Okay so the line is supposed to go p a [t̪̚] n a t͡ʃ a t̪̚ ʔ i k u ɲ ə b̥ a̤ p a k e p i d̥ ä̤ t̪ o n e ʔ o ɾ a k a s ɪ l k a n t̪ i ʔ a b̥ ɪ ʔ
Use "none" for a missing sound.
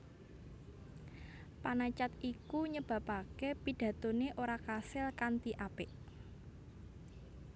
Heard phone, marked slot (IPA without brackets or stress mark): none